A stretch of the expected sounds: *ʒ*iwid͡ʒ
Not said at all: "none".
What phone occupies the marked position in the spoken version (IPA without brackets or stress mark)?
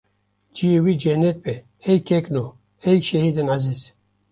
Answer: d͡ʒ